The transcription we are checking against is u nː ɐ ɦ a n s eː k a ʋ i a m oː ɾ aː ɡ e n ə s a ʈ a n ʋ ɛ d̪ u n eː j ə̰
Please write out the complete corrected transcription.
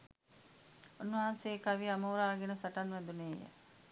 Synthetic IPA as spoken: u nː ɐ ɦ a n s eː k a ʋ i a m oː ɾ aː ɡ e n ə s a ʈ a n ʋ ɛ d̪ u n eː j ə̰

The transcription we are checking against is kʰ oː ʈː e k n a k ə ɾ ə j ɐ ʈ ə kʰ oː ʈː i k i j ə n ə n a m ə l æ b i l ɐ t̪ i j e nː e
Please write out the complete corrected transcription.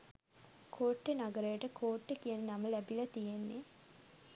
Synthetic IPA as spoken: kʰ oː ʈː e n a ɡ ə ɾ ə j ə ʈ ə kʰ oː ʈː e k i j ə n ə n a m ə l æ b i l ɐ t̪ i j e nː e

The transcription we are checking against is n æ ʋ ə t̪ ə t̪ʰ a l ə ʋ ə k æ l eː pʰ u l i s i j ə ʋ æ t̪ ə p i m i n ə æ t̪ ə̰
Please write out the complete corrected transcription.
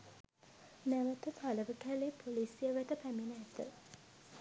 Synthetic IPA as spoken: n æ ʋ ə t̪ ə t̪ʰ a l ə ʋ ə k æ l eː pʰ o l i s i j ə ʋ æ t̪ ə p æ m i n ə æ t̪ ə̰

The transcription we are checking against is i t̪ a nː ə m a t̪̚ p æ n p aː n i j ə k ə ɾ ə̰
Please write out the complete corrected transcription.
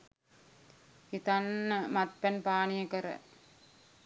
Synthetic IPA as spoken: i t̪ a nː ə m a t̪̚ p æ n p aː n i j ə k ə ɾ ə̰

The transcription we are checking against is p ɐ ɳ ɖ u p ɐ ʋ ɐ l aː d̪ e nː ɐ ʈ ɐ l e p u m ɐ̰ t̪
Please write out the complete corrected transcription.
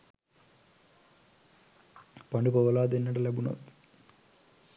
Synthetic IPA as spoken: p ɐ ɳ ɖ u p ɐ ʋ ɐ l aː d̪ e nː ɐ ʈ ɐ l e b u n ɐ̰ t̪

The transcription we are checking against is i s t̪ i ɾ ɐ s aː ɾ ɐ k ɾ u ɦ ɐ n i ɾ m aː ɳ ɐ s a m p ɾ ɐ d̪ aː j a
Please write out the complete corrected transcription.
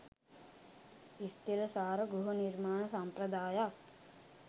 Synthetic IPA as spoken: i s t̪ i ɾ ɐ s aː ɾ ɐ ɡ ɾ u ɦ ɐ n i ɾ m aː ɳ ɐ s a m p ɾ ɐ d̪ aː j a

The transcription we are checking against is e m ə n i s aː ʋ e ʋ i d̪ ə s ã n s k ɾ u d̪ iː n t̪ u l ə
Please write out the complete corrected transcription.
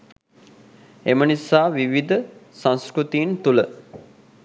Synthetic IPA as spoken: e m ə n i s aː ʋ i ʋ i d̪ ə s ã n s k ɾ u t̪ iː n t̪ u l ə

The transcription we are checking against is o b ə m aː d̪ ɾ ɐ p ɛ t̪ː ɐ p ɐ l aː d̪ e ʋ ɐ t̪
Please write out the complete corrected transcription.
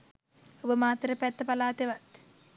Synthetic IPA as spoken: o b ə m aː t̪ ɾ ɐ p ɛ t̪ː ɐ p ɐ l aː t̪ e ʋ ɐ t̪

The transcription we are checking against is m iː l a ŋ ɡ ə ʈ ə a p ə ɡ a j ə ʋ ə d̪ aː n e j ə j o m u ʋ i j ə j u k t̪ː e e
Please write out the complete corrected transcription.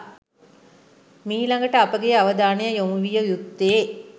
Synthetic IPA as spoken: m iː l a ŋ ɡ ə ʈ ə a p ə ɡ e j a ʋ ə d̪ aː n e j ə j o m u ʋ i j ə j u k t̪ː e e

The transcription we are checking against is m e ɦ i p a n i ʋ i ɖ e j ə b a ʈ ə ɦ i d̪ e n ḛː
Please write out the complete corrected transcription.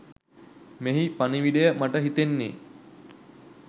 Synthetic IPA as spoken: m e ɦ i p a n i ʋ i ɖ e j ə m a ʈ ə ɦ i t̪ e nː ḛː

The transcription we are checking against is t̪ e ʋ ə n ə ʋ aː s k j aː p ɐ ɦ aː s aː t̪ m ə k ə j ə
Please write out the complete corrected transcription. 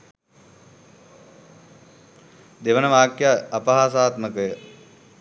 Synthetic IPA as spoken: d̪ e ʋ ə n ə ʋ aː k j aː p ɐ ɦ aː s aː t̪ m ə k ə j ə

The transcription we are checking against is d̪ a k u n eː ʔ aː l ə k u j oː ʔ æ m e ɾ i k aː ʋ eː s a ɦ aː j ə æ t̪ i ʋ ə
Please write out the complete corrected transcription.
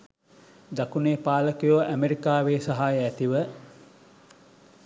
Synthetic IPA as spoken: d̪ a k u n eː p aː l ə k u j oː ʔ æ m e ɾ i k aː ʋ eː s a ɦ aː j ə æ t̪ i ʋ ə

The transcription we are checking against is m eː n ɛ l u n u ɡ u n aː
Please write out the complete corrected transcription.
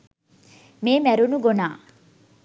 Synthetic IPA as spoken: m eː m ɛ ɾ u n u ɡ o n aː

